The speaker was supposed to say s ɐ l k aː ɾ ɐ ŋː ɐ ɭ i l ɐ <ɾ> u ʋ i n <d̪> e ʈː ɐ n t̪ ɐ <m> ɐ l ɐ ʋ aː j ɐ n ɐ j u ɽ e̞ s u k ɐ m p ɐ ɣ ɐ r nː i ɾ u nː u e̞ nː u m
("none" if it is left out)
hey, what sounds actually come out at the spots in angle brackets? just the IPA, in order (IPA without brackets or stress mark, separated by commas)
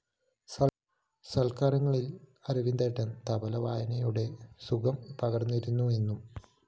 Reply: ɾ, d̪, b